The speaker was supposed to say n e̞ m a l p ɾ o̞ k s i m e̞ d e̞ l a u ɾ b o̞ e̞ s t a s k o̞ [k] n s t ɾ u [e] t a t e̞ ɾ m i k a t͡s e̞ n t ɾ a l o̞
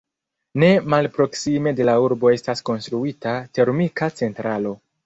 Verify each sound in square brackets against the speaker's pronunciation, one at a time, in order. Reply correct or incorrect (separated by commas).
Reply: incorrect, incorrect